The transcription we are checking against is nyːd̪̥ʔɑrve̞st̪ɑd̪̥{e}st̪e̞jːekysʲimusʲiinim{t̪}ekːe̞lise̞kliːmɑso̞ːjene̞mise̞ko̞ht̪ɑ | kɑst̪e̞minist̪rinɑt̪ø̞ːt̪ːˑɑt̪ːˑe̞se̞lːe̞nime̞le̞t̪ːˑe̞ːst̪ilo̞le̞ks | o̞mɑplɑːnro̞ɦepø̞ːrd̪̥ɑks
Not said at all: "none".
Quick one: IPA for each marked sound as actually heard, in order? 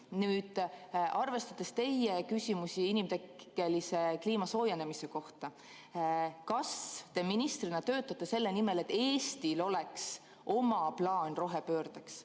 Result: e, t̪

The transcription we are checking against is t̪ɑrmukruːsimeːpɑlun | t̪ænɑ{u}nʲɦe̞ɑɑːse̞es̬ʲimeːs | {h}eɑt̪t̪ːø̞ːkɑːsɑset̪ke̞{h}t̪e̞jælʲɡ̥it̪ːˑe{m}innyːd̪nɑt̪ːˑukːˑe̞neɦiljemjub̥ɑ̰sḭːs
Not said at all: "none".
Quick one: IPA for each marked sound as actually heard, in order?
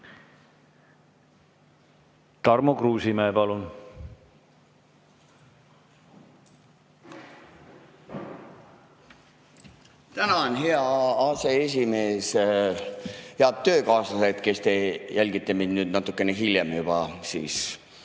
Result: o, h, s, m

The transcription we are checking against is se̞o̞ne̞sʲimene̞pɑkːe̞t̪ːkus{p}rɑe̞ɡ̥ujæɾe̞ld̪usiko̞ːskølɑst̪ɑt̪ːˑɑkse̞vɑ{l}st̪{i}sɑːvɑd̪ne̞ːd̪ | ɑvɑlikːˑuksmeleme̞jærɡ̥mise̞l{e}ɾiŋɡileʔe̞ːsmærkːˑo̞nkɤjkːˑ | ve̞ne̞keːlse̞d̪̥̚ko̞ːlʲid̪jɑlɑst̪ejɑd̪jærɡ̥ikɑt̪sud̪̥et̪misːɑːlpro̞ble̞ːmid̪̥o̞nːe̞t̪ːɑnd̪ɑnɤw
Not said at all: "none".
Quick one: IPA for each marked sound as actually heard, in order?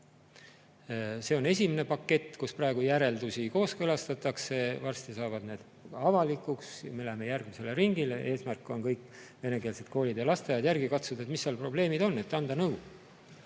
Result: p, r, i, e

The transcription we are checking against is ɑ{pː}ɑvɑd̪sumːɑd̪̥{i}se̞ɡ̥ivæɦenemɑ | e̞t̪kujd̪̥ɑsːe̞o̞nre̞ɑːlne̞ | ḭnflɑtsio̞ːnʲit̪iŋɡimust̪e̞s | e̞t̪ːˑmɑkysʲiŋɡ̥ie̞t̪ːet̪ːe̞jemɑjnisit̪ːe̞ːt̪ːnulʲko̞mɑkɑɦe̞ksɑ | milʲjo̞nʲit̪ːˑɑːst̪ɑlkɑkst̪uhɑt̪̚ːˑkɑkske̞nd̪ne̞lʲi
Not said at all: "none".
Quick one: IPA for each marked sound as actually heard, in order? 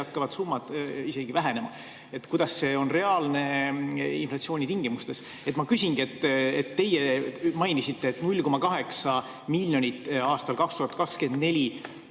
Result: kː, i

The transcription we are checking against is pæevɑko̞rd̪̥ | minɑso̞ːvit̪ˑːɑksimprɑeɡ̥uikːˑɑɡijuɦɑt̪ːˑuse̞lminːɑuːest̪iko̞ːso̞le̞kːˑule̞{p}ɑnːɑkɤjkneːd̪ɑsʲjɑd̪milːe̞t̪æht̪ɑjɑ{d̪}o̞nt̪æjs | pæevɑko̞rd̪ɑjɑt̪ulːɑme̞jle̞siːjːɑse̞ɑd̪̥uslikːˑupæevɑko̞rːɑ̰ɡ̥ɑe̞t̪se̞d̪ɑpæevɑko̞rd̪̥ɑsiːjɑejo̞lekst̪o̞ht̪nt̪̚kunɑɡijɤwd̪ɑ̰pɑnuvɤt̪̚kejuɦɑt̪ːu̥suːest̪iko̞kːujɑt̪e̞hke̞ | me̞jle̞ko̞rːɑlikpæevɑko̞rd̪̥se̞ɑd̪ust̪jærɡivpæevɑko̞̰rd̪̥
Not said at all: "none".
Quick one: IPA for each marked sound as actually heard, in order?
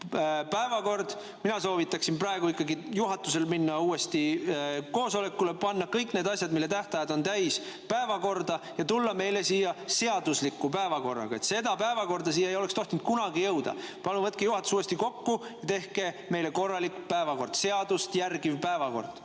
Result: p, d̪

